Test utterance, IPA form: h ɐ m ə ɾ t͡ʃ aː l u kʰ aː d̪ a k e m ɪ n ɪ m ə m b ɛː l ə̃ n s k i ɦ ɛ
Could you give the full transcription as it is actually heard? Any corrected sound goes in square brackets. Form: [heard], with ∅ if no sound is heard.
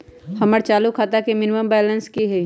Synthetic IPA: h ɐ m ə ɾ t͡ʃ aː l u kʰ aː [t̪] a k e m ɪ n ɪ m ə m b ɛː l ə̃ n s k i ɦ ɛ